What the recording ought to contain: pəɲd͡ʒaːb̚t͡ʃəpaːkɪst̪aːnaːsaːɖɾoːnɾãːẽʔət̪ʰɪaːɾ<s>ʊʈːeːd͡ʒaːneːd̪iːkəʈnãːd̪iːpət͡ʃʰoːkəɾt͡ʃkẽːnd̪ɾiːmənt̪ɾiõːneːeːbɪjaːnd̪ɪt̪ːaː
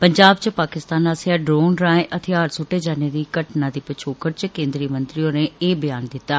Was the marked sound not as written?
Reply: no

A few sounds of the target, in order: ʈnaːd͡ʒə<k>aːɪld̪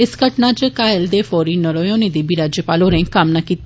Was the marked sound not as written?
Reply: no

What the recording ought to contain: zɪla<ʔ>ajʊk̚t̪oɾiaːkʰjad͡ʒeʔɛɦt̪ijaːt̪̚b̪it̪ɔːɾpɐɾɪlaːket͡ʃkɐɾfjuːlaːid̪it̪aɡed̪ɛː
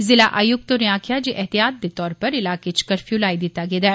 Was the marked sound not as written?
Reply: no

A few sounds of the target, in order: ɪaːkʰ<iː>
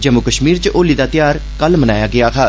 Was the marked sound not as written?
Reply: yes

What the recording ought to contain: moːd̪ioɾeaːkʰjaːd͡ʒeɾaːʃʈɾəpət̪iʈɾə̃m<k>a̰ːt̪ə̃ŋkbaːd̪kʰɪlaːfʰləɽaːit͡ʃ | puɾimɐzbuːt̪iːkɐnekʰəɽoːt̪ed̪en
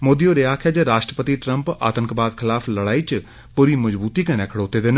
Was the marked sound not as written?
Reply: yes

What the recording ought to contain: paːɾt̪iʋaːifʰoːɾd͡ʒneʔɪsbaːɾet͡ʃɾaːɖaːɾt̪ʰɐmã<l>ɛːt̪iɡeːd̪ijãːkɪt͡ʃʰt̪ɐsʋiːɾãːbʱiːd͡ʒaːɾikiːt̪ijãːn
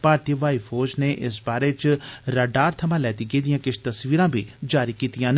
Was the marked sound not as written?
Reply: no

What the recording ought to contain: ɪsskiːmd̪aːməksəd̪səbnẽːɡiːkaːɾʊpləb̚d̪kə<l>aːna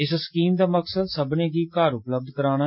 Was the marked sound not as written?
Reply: yes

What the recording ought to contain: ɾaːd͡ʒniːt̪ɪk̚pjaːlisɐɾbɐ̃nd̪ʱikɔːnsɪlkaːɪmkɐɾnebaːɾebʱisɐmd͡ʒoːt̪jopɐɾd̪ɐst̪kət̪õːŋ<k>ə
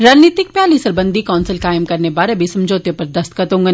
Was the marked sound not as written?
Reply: yes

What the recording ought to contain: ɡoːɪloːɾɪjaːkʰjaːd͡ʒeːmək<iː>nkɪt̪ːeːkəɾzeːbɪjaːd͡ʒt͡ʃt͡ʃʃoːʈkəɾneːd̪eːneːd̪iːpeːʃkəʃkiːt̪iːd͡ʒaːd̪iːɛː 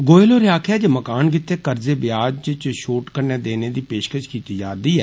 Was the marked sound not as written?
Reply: yes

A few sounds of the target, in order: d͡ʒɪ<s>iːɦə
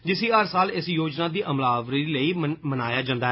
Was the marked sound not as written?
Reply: no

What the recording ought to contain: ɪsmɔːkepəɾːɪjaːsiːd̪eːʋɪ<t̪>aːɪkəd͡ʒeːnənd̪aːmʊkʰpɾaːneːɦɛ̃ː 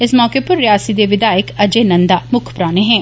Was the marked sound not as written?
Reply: yes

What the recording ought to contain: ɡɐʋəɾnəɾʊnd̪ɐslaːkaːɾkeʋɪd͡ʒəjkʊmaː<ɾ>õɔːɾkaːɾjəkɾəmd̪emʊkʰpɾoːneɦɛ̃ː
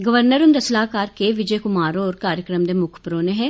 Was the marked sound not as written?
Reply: no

